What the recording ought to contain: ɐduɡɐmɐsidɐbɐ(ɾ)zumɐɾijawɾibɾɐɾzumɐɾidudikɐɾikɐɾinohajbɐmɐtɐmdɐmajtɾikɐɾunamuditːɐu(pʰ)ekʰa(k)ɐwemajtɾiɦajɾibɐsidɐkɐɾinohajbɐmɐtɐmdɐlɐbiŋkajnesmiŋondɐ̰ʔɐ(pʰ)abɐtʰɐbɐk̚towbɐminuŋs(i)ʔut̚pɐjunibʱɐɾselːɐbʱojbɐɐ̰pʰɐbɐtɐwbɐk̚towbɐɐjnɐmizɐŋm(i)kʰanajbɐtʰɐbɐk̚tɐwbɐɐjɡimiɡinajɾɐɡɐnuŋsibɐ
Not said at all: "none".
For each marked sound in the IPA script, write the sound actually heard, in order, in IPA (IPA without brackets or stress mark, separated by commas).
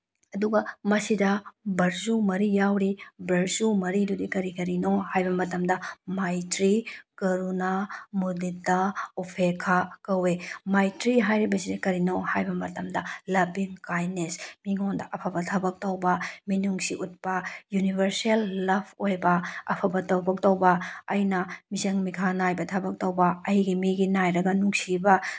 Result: ɾ, pʰ, k, pʰ, i, i